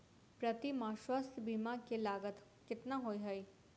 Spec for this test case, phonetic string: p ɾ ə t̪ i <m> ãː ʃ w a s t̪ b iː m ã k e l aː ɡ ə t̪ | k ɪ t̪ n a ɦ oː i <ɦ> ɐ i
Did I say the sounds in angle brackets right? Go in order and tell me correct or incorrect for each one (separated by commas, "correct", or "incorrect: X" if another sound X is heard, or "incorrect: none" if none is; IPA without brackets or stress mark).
correct, correct